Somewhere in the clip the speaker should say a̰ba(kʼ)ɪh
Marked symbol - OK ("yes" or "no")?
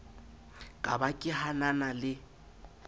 yes